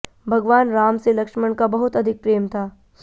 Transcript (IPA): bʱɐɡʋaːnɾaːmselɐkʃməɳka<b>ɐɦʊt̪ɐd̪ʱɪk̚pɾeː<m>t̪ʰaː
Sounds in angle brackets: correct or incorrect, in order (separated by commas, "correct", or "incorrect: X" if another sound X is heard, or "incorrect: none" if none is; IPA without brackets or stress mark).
correct, correct